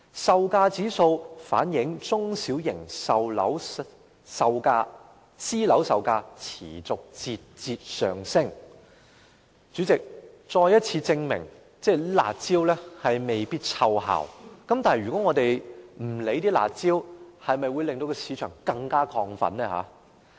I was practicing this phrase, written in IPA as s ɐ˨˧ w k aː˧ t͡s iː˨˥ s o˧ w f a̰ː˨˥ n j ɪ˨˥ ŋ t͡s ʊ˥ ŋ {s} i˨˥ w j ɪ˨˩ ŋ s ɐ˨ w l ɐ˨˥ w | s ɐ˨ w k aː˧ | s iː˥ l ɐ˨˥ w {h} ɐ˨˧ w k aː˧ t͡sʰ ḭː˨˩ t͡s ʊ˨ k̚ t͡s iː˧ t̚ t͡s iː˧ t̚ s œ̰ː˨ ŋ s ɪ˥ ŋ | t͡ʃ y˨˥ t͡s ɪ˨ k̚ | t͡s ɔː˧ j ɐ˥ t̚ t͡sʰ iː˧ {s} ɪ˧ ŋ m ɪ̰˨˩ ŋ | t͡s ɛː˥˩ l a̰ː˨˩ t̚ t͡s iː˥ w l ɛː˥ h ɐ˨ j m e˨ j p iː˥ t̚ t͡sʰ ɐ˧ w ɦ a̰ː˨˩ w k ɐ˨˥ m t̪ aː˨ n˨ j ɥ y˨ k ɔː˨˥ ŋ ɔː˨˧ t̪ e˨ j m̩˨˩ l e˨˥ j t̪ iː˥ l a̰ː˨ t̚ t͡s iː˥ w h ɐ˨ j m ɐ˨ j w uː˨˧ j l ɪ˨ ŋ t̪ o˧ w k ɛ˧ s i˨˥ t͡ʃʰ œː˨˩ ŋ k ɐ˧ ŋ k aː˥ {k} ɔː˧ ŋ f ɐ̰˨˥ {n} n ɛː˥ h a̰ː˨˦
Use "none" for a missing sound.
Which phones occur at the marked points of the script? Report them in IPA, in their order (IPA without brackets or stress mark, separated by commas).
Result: s, s, t͡s, kʰ, n